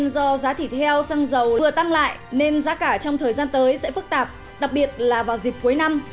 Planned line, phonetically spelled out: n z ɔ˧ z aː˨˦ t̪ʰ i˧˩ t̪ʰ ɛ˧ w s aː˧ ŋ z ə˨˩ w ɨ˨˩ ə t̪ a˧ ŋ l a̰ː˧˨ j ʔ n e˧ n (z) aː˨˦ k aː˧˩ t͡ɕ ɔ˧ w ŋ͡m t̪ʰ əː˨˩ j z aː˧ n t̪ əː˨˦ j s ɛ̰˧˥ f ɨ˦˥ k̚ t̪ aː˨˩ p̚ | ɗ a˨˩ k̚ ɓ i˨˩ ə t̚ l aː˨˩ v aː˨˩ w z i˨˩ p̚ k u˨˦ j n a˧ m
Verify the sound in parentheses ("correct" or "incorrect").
correct